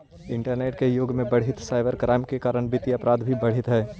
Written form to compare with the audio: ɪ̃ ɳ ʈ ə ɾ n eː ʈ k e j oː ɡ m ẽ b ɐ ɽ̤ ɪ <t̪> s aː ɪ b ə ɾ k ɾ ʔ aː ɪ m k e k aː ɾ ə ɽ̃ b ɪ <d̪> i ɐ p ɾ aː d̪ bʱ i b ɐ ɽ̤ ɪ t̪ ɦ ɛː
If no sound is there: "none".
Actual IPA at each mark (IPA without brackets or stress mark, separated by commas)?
t̪, t̪